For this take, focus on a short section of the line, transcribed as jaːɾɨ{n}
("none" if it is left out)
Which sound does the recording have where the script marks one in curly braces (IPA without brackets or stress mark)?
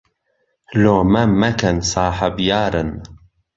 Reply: n